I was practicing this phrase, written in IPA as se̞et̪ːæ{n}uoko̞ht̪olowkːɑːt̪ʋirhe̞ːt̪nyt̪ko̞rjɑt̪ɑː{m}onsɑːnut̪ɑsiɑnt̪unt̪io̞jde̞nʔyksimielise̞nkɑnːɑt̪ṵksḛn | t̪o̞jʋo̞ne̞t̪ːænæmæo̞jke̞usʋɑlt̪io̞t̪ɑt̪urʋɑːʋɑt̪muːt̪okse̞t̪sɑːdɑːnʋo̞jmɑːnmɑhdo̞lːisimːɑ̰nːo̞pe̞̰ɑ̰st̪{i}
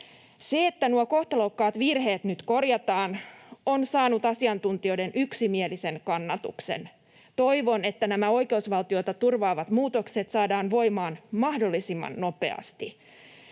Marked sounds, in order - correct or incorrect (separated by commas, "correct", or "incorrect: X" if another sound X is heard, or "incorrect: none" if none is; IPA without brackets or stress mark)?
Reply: correct, incorrect: n, correct